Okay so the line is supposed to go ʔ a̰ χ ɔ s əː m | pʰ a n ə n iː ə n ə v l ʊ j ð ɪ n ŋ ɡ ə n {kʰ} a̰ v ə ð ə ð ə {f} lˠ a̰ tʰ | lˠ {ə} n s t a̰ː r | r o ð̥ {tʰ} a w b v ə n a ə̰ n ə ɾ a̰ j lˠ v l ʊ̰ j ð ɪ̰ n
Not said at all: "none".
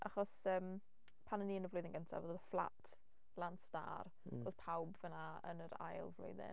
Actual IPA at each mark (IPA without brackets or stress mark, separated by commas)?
tʰ, f, a, pʰ